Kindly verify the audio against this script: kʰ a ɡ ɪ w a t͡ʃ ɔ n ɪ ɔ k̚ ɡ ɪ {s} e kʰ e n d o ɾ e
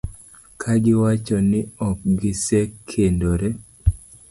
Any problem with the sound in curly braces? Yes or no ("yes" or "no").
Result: no